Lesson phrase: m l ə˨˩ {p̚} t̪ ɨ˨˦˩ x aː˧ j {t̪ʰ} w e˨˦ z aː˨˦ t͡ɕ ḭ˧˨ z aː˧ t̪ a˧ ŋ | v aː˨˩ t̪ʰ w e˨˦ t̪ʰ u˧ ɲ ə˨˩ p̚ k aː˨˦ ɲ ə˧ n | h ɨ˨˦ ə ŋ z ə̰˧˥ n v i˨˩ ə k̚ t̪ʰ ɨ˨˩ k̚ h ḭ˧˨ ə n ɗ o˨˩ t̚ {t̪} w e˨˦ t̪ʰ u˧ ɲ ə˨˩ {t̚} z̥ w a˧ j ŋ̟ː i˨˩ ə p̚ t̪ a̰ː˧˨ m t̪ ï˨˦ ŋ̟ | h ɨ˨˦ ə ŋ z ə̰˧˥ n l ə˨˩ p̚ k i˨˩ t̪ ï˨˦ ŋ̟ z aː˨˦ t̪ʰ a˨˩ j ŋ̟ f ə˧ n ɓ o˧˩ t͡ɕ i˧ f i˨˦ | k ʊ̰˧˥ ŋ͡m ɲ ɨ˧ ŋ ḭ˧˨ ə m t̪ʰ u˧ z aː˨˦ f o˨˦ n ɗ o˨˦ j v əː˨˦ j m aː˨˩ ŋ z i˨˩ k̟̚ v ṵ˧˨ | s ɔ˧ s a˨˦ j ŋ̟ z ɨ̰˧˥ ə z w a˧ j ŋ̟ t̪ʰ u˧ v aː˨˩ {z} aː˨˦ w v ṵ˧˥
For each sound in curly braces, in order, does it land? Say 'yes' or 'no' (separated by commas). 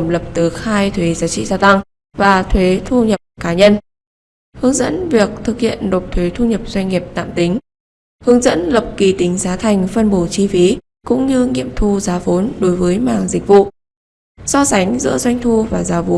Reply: yes, yes, no, no, yes